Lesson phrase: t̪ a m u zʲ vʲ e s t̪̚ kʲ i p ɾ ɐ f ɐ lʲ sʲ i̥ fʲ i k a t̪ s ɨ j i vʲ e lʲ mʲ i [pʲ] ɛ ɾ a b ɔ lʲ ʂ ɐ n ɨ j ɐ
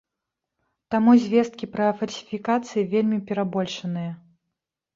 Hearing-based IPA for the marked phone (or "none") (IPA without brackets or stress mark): pʲ